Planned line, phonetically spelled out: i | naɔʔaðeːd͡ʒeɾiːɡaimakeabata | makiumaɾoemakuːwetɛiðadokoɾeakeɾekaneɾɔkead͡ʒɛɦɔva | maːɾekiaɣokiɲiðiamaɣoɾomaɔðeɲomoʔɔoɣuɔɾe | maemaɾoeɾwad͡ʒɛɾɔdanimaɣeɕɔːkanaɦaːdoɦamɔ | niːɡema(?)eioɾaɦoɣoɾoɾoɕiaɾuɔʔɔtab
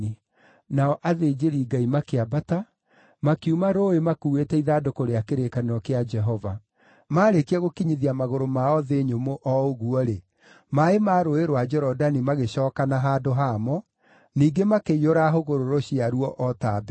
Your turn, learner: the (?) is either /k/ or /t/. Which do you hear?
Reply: k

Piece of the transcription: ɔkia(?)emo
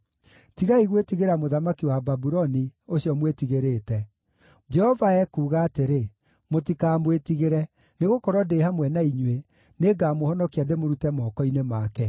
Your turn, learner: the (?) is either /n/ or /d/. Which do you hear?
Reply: d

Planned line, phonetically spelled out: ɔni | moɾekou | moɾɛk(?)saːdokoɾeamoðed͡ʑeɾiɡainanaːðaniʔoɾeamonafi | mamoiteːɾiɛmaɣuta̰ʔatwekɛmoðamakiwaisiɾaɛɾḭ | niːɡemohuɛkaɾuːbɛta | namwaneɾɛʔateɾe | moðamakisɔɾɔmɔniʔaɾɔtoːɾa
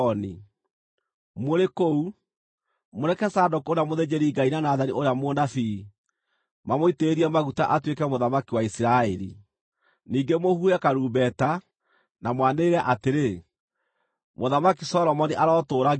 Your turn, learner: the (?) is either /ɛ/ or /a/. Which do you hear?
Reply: ɛ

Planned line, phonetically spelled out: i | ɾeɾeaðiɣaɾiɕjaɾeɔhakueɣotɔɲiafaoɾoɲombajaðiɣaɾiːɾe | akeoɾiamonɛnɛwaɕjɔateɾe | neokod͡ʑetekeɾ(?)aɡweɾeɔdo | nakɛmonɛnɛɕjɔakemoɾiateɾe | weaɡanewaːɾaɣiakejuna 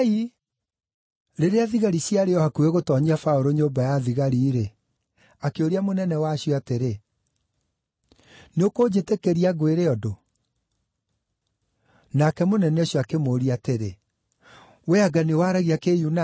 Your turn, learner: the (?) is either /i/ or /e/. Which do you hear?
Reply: i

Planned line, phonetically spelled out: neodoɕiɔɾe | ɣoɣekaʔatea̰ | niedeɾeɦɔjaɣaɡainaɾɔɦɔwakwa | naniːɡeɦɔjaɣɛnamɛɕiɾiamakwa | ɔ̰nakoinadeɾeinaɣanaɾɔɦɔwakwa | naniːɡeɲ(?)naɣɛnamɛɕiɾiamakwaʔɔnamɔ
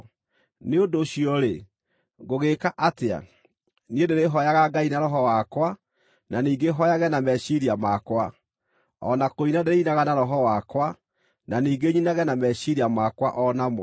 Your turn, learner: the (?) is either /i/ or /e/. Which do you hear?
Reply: i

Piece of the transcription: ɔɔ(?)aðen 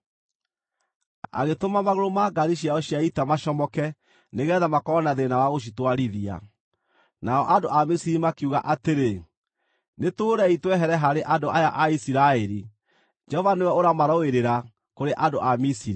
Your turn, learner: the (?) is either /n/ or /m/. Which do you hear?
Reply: n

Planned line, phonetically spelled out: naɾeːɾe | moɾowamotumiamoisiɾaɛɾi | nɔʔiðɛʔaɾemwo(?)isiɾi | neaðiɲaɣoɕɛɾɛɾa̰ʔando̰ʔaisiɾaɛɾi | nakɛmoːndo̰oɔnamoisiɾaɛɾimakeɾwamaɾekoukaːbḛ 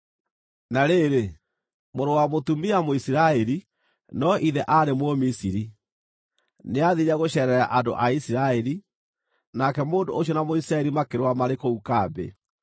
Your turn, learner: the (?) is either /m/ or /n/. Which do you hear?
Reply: m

